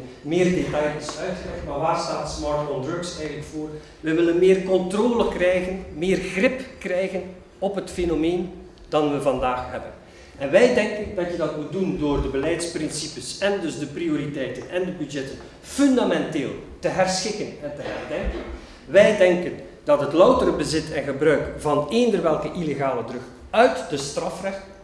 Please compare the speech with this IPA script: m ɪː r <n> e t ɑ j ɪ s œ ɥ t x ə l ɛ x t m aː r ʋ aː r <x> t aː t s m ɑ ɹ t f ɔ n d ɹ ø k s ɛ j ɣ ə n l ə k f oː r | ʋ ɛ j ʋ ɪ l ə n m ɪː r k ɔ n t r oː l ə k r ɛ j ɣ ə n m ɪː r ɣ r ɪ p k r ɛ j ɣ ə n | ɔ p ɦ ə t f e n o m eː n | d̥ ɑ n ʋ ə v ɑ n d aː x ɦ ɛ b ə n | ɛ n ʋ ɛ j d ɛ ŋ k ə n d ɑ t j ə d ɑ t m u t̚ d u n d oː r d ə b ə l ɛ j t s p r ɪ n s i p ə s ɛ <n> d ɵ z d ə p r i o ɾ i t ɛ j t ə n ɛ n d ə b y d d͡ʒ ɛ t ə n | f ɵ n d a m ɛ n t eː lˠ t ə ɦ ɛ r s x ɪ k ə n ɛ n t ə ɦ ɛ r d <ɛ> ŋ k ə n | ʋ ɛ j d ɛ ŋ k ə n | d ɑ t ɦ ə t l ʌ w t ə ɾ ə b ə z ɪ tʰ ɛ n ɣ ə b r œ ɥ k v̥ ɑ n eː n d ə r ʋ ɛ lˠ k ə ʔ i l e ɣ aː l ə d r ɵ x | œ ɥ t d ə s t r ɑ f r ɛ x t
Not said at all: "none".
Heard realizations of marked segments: d, s, n, ɛ

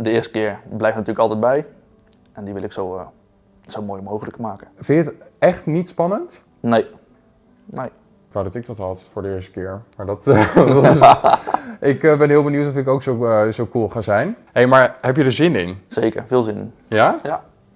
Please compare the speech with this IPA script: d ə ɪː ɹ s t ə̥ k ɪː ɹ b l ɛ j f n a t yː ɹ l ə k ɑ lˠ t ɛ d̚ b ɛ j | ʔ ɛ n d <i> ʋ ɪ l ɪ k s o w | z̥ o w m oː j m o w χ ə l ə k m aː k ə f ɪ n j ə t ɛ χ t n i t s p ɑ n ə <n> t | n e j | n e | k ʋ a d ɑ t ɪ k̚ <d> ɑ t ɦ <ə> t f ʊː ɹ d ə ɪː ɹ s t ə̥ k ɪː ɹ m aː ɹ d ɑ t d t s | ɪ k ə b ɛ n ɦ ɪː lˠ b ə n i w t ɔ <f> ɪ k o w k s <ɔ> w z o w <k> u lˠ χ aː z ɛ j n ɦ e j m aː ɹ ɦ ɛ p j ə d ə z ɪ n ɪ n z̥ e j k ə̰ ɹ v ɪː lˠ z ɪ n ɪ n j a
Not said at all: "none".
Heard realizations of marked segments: i, n, d, ɑ, f, o, k

